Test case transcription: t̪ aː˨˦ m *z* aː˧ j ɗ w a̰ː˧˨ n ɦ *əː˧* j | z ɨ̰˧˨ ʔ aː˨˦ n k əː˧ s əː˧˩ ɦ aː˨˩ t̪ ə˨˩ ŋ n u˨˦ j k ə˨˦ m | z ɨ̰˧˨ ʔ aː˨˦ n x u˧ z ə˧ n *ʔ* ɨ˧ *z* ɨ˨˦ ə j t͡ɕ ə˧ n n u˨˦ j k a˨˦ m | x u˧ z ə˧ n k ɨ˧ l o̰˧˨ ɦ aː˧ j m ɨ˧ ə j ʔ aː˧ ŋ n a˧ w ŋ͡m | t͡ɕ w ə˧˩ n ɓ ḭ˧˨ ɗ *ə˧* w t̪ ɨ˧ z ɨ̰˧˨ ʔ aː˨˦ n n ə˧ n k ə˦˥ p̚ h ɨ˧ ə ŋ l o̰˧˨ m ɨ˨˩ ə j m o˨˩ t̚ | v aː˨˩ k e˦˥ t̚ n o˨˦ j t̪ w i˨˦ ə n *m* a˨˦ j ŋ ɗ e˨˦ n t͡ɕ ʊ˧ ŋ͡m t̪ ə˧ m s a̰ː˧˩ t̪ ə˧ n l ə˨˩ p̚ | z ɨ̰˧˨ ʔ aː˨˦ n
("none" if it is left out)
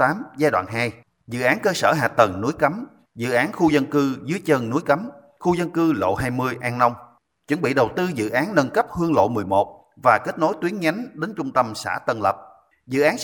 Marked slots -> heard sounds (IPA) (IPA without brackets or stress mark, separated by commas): z, aː˧, k, z, ə˨˩, ɲ